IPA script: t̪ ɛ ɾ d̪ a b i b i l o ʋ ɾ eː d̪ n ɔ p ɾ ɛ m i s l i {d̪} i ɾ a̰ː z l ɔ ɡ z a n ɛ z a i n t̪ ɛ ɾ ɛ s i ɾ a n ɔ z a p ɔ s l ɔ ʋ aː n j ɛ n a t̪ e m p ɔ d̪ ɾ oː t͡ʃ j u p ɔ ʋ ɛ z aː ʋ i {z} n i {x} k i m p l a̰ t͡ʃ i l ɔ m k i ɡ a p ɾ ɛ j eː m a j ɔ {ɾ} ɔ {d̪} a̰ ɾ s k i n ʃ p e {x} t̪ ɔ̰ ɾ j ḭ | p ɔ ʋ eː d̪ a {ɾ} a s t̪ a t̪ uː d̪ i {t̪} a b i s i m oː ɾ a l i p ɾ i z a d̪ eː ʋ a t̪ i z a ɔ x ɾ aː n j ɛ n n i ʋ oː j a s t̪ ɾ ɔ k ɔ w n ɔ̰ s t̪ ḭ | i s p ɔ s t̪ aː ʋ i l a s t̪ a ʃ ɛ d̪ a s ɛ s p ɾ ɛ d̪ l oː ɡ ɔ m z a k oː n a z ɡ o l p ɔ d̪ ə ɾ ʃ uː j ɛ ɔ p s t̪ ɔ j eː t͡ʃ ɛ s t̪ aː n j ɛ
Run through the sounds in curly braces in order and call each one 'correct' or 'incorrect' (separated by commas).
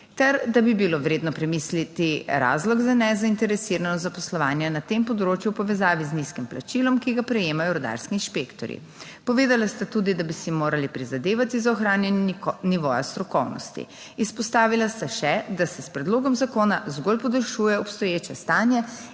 incorrect, correct, incorrect, correct, correct, incorrect, incorrect, incorrect